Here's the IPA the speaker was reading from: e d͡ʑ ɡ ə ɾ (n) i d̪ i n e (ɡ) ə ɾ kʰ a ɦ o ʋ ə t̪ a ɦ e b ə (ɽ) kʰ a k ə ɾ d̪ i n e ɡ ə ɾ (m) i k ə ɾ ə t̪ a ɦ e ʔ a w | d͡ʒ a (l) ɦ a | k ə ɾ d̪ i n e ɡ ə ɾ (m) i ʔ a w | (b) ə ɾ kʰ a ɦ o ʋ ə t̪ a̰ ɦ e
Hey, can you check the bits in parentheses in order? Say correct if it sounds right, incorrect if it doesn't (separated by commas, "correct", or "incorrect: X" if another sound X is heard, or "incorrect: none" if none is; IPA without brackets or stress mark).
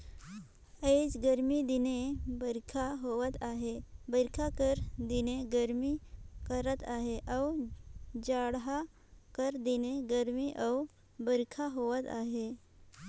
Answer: incorrect: m, incorrect: b, incorrect: ɾ, correct, incorrect: ɽ, correct, correct